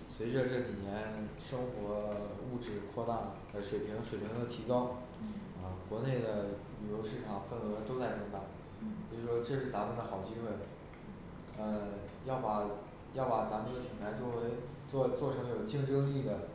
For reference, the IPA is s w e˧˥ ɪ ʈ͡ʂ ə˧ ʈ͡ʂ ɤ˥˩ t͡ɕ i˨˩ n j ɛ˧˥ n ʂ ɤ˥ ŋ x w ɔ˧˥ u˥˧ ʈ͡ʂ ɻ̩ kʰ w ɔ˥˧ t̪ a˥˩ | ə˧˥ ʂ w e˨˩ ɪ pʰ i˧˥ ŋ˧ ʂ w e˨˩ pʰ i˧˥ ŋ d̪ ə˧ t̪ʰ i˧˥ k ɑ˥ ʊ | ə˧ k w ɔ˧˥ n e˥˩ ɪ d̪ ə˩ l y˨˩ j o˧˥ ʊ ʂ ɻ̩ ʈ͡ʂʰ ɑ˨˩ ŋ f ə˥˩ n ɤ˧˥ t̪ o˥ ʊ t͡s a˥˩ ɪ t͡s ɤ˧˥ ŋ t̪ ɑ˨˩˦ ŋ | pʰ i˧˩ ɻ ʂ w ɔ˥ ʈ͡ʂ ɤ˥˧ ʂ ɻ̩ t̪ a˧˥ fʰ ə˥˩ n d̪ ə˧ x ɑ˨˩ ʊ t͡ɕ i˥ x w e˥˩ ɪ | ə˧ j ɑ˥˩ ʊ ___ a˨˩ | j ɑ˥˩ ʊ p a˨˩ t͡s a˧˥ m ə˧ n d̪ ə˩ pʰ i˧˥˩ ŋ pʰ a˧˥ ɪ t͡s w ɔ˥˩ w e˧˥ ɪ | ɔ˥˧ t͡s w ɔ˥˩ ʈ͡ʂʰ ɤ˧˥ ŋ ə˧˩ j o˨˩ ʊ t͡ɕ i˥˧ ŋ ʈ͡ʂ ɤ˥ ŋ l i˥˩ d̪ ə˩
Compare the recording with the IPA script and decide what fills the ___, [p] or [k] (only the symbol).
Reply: p